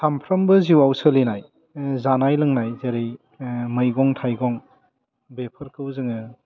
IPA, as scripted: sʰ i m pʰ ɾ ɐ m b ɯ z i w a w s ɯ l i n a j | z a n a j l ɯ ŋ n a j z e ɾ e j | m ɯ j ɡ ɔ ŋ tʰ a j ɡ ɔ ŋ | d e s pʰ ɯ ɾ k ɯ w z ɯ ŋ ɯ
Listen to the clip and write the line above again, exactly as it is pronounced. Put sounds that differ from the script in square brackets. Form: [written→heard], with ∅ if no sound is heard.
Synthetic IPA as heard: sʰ [i→a] m pʰ ɾ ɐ m b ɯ z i w a w s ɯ l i n a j | z a n a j l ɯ ŋ n a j z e ɾ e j | m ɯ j ɡ ɔ ŋ tʰ a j ɡ ɔ ŋ | [d→b] e [s→∅] pʰ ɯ ɾ k ɯ w z ɯ ŋ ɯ